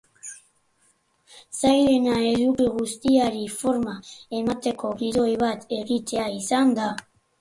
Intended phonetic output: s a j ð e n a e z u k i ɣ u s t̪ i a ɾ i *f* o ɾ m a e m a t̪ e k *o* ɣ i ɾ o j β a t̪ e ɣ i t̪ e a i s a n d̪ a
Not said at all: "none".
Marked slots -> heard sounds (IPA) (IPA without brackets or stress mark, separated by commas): f, o